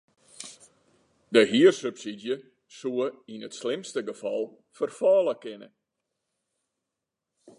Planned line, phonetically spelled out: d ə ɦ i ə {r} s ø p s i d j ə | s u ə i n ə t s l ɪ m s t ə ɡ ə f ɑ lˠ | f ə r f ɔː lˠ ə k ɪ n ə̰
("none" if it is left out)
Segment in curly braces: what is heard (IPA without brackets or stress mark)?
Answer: r